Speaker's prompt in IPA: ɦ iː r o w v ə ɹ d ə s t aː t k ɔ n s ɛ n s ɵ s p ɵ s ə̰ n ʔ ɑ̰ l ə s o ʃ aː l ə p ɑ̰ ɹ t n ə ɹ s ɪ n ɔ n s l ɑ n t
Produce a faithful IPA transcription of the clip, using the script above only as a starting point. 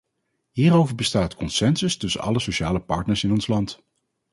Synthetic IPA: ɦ iː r o w v ə ɹ b ə s t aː t k ɔ n s ɛ n s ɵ s t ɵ s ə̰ n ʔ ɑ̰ l ə s o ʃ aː l ə p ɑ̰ ɹ t n ə ɹ s ɪ n ɔ n s l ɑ n t